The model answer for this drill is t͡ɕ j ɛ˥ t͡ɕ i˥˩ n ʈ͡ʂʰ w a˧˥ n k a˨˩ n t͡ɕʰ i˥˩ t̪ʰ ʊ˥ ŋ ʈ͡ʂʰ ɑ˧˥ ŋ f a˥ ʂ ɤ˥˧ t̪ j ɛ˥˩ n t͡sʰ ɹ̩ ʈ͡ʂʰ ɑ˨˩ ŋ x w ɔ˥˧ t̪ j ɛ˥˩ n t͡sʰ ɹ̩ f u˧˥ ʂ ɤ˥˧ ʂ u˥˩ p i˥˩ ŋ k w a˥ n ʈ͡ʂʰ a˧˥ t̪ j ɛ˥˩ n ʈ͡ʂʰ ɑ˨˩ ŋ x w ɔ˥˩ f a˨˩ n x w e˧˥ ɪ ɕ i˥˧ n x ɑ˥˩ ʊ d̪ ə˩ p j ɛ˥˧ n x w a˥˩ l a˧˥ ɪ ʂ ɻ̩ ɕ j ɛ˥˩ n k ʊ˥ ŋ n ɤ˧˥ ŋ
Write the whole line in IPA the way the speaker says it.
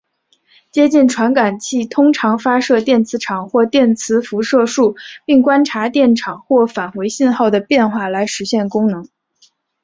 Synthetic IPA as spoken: t͡ɕ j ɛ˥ t͡ɕ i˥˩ n ʈ͡ʂʰ w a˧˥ n k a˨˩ n t͡ɕʰ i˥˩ t̪ʰ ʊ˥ ŋ ʈ͡ʂʰ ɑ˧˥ ŋ f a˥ ʂ ɤ˥˧ t̪ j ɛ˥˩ n t͡sʰ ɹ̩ ʈ͡ʂʰ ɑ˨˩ ŋ x w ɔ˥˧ t̪ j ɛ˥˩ n t͡sʰ ɹ̩ f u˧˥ ʂ ɤ˥˧ ʂ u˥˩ p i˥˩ ŋ k w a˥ n ʈ͡ʂʰ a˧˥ t̪ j ɛ˥˩ n ʈ͡ʂʰ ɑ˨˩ ŋ x w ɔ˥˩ f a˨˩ n x w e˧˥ ɪ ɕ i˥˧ n x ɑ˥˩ ʊ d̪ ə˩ p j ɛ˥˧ n x w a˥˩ l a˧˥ ɪ ʂ ɻ̩ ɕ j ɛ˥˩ n k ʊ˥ ŋ n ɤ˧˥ ŋ